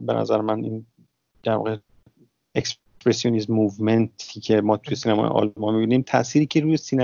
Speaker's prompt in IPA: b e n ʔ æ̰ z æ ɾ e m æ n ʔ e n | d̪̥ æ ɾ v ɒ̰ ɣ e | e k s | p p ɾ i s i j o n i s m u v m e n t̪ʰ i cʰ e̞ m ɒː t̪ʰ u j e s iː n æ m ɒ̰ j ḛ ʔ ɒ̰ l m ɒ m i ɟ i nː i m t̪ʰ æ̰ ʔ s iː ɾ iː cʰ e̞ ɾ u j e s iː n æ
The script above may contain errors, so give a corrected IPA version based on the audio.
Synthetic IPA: b e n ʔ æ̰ z æ ɾ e m æ n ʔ i n | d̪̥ æ ɾ v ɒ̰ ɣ e | e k s | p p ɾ e s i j o n i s m u v m e n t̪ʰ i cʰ e̞ m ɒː t̪ʰ u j e s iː n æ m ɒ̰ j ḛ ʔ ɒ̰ l m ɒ m i b i n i m t̪ʰ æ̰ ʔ s iː ɾ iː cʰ e̞ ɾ u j e s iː n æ